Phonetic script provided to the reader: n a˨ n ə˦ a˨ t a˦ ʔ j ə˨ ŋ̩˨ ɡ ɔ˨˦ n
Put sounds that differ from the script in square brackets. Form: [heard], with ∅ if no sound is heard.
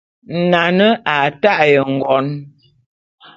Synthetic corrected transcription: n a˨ n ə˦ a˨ t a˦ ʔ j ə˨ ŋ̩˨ ɡ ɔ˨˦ n